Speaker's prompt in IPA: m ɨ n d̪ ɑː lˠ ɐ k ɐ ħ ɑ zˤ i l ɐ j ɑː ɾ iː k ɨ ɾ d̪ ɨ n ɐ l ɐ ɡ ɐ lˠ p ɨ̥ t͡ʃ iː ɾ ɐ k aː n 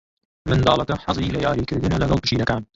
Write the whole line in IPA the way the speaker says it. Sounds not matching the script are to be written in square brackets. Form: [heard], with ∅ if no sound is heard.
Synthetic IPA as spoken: m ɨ n d̪ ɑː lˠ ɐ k ɐ ħ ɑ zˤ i l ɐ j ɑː ɾ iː k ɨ ɾ d̪ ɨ n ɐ l ɐ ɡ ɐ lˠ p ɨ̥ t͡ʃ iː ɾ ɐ k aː n